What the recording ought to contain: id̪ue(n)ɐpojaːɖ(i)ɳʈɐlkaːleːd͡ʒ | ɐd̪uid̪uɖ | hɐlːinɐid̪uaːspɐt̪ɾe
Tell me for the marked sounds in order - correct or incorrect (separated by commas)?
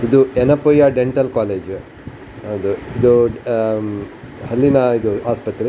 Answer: correct, incorrect